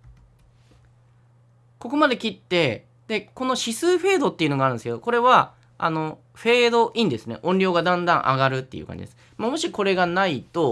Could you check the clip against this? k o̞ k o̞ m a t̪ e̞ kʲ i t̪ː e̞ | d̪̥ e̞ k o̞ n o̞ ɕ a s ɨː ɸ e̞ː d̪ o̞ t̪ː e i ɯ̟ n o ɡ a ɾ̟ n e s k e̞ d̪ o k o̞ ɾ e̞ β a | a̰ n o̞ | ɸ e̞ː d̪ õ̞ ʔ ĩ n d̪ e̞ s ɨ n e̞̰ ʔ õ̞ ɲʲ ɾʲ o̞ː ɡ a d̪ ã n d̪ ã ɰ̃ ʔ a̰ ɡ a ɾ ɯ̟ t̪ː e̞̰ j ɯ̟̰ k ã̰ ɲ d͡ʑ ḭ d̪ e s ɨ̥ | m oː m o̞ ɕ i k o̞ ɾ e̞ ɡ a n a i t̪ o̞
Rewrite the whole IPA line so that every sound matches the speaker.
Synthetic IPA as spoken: k o̞ k o̞ m a d̪ e̞ kʲ i t̪ː e̞ | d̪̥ e̞ k o̞ n o̞ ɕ i s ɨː ɸ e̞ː d̪ o̞ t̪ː e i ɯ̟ n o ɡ a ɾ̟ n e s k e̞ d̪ o k o̞ ɾ e̞ β a | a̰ n o̞ | ɸ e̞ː d̪ o̞ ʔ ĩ n d̪ e̞ s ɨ n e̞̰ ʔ õ̞ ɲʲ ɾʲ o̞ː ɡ a d̪ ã n d̪ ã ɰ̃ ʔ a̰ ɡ a ɾ ɯ̟ t̪ː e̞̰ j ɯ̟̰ k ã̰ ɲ d͡ʑ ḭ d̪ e s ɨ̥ | m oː m o̞ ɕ i k o̞ ɾ e̞ ɡ a n a i t̪ o̞

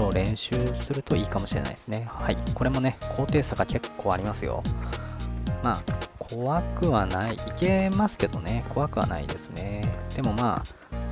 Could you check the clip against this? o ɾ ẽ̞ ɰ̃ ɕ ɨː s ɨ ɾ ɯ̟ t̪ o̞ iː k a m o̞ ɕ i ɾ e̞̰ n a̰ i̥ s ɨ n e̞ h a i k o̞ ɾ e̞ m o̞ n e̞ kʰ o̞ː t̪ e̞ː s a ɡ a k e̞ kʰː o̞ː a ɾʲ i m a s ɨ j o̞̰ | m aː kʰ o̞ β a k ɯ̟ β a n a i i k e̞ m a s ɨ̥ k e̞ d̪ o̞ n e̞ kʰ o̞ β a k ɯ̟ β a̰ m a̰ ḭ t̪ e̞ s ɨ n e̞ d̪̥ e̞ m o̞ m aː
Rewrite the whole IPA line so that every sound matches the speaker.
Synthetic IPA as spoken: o ɾ ẽ̞ ɰ̃ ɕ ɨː s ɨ ɾ ɯ̟ t̪ o̞ iː k a m o̞ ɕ i ɾ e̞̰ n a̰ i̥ s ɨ n e̞ h a i k o̞ ɾ e̞ m o̞ n e̞ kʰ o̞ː t̪ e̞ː s a ɡ a k e̞ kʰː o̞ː a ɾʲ i m a s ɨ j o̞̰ | m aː kʰ o̞ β a k ɯ̟ β a n a i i k e̞ m a s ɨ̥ k e̞ d̪ o̞ n e̞ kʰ o̞ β a k ɯ̟ β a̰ n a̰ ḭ d̪ e̞ s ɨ n e̞ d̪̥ e̞ m o̞ m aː

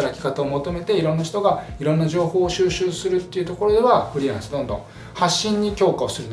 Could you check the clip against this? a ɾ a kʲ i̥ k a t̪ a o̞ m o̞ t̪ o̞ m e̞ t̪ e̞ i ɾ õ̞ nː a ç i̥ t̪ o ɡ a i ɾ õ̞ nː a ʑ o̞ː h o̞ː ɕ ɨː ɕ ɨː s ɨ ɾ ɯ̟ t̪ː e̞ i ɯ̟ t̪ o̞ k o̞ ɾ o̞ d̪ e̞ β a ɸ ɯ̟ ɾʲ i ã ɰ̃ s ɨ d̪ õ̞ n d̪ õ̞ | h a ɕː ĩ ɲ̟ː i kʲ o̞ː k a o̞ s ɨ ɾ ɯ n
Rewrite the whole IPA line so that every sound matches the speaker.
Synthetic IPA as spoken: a ɾ a kʲ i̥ k a t̪ a o̞ m o̞ t̪ o̞ m e̞ t̪ e̞ i ɾ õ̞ nː a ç i̥ t̪ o ɡ a i ɾ õ̞ nː a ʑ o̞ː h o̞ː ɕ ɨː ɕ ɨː s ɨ ɾ ɯ̟ t̪ː e̞ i ɯ̟ t̪ o̞ k o̞ ɾ o̞ d̪ e̞ β a ɸ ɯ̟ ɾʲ i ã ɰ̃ s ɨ d̪ õ̞ n d̪ õ̞ | h a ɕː ĩ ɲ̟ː i kʲ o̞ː k a o̞ s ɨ ɾ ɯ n

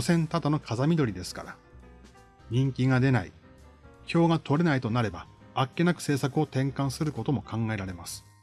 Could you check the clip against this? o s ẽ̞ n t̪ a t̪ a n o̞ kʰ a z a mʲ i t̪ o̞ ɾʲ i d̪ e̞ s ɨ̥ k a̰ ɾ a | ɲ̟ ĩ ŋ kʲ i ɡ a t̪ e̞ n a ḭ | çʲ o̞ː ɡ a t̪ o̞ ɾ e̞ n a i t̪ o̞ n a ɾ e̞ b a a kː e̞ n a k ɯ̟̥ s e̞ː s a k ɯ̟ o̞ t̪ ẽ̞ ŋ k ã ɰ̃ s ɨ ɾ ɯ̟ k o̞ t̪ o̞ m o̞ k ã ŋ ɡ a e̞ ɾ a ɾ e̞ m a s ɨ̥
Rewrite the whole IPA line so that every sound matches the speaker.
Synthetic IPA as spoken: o s ẽ̞ n t̪ a t̪ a n o̞ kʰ a z a mʲ i d̪ o̞ ɾʲ i d̪ e̞ s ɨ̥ k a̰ ɾ a | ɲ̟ ĩ ŋ kʲ i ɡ a d̪ e̞ n a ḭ | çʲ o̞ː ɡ a t̪ o̞ ɾ e̞ n a i t̪ o̞ n a ɾ e̞ b a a kː e̞ n a k ɯ̟̥ s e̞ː s a k ɯ̟ o̞ t̪ ẽ̞ ŋ k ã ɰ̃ s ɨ ɾ ɯ̟ k o̞ t̪ o̞ m o̞ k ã ŋ ɡ a e̞ ɾ a ɾ e̞ m a s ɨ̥

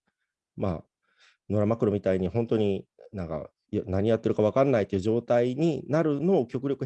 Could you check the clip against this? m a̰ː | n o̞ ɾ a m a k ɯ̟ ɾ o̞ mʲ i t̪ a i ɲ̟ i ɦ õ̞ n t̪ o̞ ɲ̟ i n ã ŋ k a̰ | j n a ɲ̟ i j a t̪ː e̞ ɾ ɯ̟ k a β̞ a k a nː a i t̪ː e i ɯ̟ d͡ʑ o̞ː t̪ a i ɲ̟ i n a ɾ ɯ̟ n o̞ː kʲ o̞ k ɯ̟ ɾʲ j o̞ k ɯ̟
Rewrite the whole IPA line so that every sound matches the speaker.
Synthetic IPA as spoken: m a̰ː | n o̞ ɾ a m a k ɯ̟ ɾ o̞ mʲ i t̪ a i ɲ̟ i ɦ õ̞ n t̪ o̞ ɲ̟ i n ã ŋ k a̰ | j n a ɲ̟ i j a t̪ː e̞ ɾ ɯ̟ k a β̞ a k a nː a i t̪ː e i ɯ̟ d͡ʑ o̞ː t̪ a i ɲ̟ i n a ɾ ɯ̟ n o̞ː kʲ o̞ k ɯ̟ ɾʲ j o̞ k ɯ̟

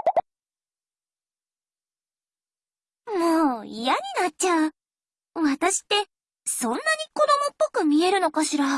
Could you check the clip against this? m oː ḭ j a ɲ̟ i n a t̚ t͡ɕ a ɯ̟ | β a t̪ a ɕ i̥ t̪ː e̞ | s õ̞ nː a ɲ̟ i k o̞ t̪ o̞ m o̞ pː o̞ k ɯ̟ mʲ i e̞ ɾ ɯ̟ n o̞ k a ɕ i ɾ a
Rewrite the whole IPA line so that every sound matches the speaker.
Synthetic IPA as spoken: m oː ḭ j a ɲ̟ i n a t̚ t͡ɕ a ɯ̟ | β a t̪ a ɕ i̥ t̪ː e̞ | s õ̞ nː a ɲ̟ i k o̞ d̪ o̞ m o̞ pː o̞ k ɯ̟ mʲ i e̞ ɾ ɯ̟ n o̞ k a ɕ i ɾ a

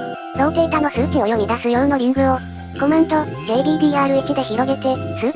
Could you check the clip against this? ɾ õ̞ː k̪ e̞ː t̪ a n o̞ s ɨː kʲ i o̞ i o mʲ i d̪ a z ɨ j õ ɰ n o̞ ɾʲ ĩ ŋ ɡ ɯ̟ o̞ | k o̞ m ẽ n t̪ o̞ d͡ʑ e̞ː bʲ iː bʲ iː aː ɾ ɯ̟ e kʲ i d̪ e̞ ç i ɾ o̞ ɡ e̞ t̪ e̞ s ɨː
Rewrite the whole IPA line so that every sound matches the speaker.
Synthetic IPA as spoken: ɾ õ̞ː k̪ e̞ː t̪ a n o̞ s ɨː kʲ i o̞ j o mʲ i d̪ a s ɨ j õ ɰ n o̞ ɾʲ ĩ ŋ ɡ ɯ̟ o̞ | k o̞ m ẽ n t̪ o̞ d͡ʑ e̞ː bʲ iː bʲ iː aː ɾ ɯ̟ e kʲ i d̪ e̞ ç i ɾ o̞ ɡ e̞ t̪ e̞ s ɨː

